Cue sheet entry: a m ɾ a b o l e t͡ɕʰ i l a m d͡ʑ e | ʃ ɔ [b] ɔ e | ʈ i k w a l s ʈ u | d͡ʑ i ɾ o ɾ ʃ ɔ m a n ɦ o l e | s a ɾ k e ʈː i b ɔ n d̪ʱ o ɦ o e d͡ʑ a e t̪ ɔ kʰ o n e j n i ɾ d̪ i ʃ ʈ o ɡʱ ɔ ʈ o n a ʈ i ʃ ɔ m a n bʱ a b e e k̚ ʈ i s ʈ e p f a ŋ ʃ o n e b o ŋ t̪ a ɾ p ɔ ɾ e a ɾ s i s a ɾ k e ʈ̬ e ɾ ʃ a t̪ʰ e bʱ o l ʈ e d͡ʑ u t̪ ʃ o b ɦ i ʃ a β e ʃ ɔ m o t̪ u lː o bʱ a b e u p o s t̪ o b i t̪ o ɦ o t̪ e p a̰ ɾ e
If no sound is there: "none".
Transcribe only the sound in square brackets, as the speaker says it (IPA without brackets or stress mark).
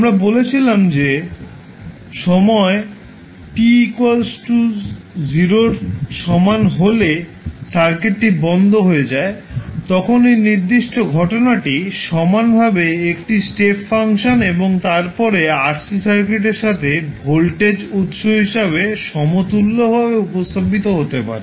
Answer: m